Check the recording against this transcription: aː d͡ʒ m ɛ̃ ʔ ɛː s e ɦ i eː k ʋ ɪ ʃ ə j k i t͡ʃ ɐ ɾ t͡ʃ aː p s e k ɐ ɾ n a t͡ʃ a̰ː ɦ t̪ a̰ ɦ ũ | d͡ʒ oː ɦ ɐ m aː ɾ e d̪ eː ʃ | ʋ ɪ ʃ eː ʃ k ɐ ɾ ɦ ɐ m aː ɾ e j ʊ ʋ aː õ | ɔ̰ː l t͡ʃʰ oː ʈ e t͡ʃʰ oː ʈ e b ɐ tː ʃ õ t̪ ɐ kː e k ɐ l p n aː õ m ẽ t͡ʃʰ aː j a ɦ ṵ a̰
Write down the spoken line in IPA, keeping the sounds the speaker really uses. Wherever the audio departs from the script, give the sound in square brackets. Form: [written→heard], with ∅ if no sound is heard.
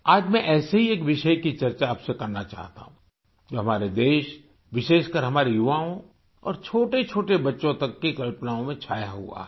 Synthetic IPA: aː d͡ʒ m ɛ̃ ʔ ɛː s e ɦ i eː k ʋ ɪ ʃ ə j k i t͡ʃ ɐ ɾ t͡ʃ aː p s e k ɐ ɾ n a t͡ʃ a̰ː ɦ t̪ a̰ ɦ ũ | d͡ʒ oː ɦ ɐ m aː ɾ e d̪ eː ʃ | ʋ ɪ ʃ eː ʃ k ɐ ɾ ɦ ɐ m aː ɾ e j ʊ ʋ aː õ | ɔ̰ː [l→ɾ] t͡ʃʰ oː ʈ e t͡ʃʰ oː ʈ e b ɐ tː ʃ õ t̪ ɐ kː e k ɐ l p n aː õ m ẽ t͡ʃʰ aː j a ɦ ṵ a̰